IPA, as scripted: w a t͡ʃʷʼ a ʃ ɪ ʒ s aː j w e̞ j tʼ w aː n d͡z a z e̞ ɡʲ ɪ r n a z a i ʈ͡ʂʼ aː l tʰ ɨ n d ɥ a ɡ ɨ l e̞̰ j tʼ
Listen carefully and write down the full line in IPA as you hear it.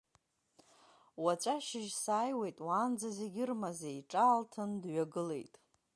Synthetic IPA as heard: w a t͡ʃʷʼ a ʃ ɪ ʒ s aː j w e̞ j tʼ w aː n d͡z a z e̞ ɡʲ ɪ r m a z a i ʈ͡ʂʼ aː l tʰ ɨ n d ɥ a ɡ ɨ l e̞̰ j tʼ